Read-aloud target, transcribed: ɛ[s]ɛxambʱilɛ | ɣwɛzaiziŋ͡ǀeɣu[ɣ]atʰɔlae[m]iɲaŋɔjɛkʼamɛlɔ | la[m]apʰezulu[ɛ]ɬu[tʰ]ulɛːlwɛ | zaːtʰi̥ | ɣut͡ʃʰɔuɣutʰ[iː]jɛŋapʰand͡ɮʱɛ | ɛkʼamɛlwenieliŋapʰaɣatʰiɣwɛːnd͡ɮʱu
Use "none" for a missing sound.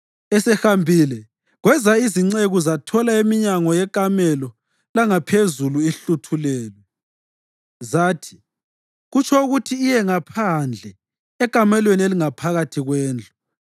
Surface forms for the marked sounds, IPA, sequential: s, z, m, ŋ, i, tʰ, iː

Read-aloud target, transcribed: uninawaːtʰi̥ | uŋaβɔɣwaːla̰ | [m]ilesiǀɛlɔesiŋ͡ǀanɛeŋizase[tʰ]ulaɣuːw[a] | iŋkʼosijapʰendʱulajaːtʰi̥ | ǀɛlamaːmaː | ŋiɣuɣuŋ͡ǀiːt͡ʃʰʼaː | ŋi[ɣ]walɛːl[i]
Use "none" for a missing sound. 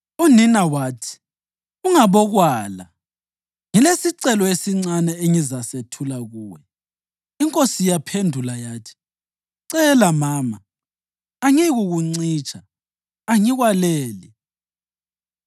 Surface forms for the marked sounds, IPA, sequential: ŋ, tʰ, ɛ, ɣ, i

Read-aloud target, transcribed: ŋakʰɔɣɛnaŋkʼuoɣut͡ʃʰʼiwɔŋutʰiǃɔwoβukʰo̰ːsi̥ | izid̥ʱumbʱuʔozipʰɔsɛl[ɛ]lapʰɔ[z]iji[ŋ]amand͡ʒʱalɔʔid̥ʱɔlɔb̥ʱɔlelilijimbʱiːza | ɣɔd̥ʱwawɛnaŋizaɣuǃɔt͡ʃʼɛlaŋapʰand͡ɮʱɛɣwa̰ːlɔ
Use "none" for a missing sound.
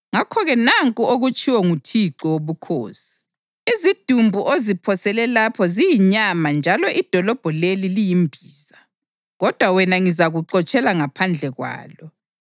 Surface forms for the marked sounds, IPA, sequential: ɛ, z, ɲ

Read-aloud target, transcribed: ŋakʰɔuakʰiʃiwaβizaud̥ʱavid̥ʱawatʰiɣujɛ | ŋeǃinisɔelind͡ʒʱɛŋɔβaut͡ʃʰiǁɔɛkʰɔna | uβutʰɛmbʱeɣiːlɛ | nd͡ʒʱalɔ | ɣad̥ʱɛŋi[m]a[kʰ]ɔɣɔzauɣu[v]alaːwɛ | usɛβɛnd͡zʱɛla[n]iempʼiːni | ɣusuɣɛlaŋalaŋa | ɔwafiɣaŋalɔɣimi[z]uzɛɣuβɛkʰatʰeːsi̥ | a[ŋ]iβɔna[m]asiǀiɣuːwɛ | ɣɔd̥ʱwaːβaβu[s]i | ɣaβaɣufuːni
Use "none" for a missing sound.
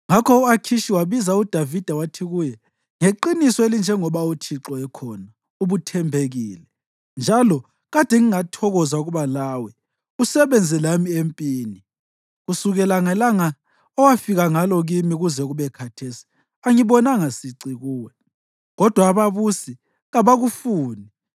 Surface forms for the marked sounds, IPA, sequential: ŋ, tʰ, β, m, ɣ, ŋ, ŋ, s

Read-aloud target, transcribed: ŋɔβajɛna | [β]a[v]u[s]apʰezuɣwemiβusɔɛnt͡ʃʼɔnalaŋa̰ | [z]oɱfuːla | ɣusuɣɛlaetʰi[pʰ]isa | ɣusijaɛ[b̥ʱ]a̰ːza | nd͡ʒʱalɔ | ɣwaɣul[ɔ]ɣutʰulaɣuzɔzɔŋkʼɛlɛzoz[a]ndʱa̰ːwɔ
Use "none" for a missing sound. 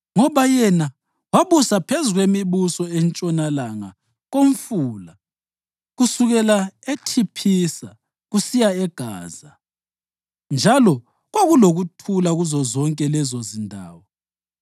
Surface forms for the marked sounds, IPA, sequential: w, β, s, ɣ, pʰ, ɡ̥ʱ, o, i

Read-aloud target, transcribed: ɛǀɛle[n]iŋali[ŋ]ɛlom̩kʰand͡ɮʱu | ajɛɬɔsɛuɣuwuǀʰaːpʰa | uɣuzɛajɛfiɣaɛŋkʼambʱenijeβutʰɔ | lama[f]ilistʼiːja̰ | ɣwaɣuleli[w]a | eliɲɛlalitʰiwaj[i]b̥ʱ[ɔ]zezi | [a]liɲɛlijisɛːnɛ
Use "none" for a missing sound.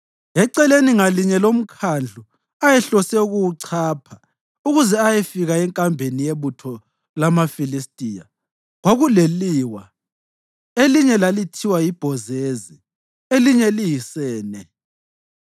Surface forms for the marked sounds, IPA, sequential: n, ɲ, f, w, i, ɔ, e

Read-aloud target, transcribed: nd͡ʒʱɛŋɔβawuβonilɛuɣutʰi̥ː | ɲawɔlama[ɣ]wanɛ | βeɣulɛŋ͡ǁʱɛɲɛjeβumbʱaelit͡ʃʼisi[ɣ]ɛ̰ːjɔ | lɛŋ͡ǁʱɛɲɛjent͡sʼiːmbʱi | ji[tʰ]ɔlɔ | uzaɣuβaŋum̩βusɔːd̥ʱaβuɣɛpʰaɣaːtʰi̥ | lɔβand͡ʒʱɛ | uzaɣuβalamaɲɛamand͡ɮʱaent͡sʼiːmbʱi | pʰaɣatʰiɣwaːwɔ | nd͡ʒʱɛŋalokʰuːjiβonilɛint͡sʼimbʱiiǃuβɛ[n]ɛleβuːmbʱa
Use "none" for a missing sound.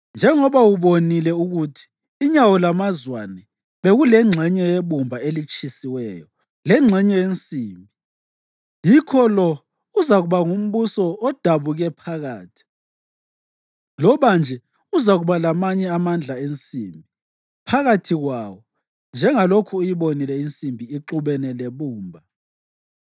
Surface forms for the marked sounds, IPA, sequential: z, w, kʰ, n

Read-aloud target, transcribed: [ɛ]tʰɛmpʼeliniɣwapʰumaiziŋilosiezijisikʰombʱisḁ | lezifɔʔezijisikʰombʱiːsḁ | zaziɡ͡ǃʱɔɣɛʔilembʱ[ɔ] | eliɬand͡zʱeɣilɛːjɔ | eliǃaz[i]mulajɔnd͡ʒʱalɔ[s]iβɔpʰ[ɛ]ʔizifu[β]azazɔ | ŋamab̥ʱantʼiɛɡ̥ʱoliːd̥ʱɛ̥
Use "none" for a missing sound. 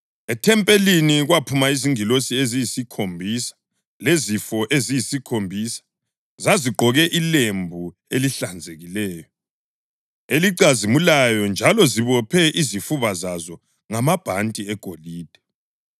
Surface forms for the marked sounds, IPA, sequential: ɛ, u, i, z, ɛ, β

